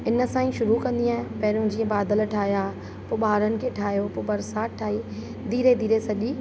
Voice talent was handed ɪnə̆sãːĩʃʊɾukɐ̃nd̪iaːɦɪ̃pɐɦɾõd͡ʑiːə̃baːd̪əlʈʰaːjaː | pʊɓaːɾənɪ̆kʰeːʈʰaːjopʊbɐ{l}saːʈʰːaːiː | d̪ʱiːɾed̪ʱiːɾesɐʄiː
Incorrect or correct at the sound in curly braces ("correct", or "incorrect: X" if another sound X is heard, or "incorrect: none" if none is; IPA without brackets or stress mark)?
incorrect: ɾ